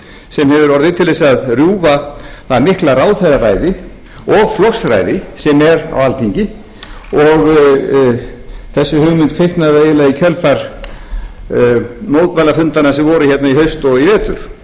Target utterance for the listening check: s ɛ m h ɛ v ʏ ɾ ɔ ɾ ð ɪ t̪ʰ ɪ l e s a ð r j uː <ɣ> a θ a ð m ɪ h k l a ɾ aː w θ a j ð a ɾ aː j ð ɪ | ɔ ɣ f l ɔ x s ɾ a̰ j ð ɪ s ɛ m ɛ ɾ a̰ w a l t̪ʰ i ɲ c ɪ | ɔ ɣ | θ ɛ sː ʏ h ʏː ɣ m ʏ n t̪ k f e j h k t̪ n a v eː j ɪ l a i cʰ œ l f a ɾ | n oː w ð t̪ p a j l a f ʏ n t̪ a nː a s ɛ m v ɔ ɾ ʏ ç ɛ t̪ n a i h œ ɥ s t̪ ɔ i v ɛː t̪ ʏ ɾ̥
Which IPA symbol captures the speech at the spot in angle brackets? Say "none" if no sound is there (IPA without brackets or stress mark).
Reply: v